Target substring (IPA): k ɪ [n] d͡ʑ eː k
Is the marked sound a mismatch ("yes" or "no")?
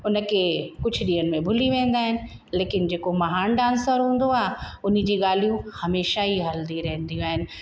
no